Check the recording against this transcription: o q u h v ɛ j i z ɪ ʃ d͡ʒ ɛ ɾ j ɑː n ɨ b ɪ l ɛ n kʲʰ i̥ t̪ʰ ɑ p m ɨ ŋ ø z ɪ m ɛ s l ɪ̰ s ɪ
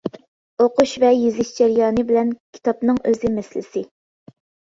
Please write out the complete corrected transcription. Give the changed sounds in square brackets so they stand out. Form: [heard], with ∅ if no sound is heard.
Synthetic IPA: o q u [ʃ] v ɛ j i z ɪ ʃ d͡ʒ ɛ ɾ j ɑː n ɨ b ɪ l ɛ n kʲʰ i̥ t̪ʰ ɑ p [n] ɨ ŋ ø z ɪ m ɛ s l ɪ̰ s ɪ